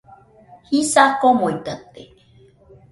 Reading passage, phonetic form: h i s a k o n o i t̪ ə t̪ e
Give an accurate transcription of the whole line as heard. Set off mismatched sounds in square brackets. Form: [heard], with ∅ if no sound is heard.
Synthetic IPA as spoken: h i s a k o [m] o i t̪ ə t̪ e